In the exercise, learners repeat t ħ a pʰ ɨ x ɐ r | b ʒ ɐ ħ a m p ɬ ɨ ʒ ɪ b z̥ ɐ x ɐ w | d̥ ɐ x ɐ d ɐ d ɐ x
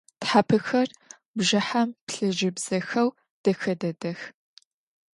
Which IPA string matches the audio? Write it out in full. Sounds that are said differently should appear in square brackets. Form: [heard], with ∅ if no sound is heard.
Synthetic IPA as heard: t ħ a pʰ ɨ x ɐ r | b ʒ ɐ ħ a m p ɬ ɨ ʒ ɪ b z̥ ɐ x ɐ w | d̥ ɐ x ɐ d ɐ d ɐ x